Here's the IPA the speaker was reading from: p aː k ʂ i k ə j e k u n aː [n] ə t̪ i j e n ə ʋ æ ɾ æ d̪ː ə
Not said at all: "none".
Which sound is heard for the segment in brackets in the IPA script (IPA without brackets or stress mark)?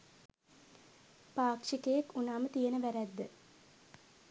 m